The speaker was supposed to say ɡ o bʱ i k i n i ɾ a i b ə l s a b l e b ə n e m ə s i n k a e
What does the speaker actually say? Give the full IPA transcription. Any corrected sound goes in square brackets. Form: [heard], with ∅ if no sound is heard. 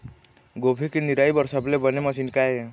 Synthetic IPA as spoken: ɡ o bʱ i k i n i ɾ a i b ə [ɾ] s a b l e b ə n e m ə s i n k a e